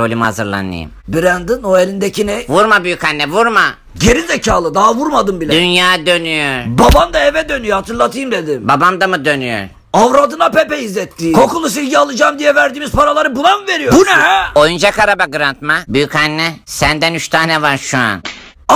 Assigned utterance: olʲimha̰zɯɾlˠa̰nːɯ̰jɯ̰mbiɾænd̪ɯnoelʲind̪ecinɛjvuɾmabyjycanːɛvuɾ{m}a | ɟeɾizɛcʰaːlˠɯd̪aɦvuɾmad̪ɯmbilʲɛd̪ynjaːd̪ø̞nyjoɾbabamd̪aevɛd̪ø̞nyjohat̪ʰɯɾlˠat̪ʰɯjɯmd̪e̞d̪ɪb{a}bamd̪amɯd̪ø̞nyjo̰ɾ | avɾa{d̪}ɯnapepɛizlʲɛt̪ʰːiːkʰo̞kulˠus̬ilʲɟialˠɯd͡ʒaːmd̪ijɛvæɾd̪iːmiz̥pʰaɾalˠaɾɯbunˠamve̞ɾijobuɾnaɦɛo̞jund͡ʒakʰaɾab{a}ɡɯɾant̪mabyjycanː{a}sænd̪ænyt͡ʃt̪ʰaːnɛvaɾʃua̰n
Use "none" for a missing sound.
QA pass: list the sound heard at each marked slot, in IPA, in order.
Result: m, a, d̪, a, ɛ

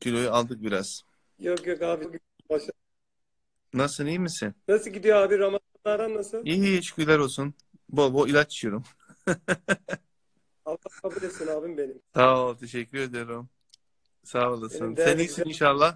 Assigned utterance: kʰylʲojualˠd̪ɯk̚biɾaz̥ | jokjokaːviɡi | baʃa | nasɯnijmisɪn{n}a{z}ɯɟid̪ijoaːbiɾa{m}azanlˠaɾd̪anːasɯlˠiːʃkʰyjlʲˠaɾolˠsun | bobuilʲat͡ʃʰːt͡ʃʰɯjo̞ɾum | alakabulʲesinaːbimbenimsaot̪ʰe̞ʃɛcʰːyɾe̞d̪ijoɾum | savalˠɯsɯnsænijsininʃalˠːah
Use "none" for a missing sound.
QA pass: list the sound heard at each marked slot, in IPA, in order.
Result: n, s, m

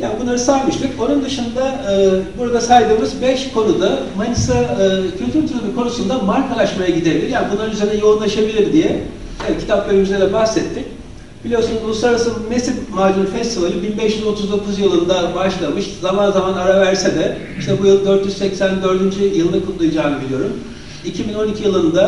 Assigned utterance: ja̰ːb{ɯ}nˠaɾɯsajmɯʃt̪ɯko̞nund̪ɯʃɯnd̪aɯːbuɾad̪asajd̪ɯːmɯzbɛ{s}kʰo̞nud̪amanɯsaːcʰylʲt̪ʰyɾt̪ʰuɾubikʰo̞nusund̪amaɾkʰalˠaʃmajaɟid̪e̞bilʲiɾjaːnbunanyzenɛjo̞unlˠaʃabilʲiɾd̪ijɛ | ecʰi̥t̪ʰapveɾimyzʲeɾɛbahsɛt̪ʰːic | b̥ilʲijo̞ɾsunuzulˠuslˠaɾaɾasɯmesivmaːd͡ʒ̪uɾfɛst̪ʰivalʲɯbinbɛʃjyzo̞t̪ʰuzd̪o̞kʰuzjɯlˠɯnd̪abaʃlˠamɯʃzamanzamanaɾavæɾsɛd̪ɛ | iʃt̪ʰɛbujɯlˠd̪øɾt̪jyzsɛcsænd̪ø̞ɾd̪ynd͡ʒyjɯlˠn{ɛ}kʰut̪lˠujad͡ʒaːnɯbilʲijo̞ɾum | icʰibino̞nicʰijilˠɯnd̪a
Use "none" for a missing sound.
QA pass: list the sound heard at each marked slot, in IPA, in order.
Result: u, ʃ, a

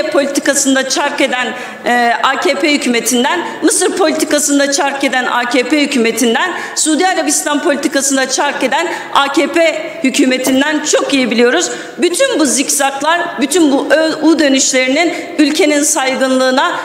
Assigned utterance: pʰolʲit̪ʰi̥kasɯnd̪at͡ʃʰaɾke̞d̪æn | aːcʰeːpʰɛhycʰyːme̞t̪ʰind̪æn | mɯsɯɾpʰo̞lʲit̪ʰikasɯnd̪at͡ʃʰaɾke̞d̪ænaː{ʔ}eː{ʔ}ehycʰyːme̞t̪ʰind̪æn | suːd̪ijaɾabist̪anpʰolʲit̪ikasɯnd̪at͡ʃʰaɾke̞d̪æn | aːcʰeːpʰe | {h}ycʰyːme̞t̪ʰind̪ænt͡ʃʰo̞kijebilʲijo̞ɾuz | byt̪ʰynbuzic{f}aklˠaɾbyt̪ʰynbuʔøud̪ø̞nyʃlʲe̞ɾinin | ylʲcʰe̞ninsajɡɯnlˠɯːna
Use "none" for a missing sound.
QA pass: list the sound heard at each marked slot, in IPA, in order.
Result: c, p, h, s

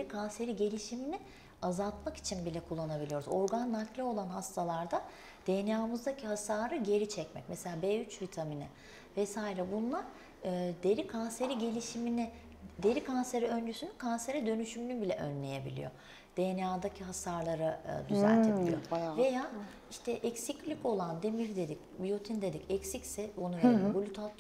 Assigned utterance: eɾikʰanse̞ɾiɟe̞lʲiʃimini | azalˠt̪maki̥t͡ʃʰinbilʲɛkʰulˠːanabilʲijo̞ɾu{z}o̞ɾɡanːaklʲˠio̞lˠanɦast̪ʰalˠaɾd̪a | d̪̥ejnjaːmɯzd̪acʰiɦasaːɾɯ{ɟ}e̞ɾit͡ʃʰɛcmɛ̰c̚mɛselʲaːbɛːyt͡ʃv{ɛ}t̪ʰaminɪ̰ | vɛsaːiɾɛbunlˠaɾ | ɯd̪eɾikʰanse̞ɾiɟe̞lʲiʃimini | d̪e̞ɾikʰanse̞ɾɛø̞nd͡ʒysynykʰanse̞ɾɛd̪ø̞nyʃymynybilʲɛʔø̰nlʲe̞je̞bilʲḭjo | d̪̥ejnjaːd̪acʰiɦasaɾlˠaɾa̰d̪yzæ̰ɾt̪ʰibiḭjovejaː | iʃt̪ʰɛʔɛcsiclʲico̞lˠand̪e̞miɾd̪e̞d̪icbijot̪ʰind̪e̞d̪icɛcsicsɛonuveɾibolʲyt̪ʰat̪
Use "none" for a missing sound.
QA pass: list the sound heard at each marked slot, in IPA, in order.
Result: z, ɟ, i

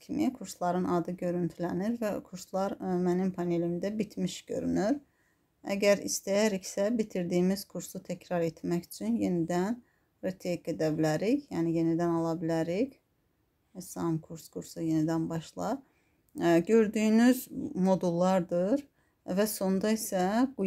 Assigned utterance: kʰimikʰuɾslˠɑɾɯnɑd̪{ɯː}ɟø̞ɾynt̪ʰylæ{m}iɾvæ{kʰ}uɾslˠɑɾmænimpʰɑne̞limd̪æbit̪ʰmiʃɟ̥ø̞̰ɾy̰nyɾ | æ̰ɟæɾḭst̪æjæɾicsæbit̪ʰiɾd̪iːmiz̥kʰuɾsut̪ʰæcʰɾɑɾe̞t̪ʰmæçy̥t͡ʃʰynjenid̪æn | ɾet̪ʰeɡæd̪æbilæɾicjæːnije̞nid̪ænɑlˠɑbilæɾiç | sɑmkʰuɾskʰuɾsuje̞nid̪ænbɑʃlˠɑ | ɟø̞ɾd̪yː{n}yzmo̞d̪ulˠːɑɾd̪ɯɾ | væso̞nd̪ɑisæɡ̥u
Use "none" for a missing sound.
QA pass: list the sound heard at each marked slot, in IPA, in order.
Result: ɯ, n, kʰ, n

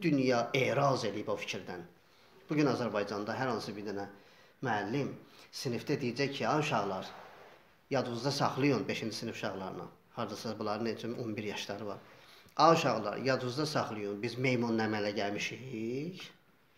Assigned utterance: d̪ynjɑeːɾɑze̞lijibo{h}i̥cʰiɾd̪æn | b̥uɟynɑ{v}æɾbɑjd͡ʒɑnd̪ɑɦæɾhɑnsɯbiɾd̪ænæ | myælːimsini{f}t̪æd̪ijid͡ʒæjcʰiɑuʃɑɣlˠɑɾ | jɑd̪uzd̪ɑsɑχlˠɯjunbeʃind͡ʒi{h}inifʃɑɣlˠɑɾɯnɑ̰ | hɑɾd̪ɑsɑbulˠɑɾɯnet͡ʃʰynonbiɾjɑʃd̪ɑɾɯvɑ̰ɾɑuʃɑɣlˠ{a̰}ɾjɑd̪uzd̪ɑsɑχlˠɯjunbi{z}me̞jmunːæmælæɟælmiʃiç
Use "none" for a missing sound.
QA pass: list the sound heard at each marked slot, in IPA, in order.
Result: f, z, f, s, ɑ̰, z

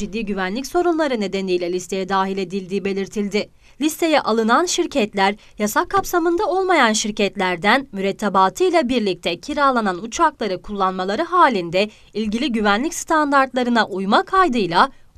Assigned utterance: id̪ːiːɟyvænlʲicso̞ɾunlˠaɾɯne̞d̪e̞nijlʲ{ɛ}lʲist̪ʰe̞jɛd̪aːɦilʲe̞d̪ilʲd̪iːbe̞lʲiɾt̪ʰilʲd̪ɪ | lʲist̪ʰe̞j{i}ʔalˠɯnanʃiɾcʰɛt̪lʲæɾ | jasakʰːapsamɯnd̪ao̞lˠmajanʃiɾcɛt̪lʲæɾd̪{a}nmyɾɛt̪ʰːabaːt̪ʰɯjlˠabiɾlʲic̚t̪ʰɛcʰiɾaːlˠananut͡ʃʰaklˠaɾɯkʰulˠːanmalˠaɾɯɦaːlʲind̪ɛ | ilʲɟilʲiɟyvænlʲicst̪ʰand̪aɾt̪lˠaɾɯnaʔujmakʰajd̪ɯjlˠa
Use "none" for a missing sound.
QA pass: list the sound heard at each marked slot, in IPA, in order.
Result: ɛ, ɛ, æ

